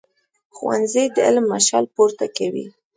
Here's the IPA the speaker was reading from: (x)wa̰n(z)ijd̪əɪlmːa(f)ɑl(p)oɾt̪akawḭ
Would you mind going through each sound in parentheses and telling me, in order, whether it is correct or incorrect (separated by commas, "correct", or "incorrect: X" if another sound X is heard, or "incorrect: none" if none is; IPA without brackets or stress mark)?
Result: correct, correct, incorrect: ʃ, correct